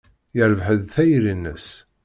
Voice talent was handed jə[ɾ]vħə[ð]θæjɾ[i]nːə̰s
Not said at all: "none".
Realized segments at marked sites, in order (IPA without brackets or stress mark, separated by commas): ɾ, ð, i